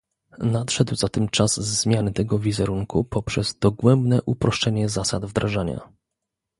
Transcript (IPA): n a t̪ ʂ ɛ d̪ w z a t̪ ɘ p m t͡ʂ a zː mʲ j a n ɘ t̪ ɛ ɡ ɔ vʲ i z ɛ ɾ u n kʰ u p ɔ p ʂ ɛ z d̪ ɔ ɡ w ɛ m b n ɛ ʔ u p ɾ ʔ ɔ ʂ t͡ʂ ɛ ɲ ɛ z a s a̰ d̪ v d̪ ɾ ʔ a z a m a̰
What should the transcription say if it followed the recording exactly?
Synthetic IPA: n a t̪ ʂ ɛ d̪ w z a t̪ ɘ m t͡ʂ a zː mʲ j a n ɘ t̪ ɛ ɡ ɔ vʲ i z ɛ ɾ u ŋ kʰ u p ɔ p ʂ ɛ z d̪ ɔ ɡ w ɛ m b n ɛ ʔ u p ɾ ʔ ɔ ʂ t͡ʂ ɛ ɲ ɛ z a s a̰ d̪ v d̪ ɾ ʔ a ʐ a ɲ a̰